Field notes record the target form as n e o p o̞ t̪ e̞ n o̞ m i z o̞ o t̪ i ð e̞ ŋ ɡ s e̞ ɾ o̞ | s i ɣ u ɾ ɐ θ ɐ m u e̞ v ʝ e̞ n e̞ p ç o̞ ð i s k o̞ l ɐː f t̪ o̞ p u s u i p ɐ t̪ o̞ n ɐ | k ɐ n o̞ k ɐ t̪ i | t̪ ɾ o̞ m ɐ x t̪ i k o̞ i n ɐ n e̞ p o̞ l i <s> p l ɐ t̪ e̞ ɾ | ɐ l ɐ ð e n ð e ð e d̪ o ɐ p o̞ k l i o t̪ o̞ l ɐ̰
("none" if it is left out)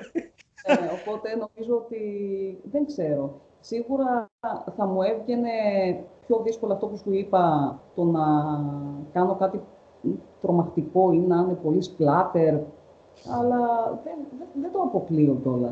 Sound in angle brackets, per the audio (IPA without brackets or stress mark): s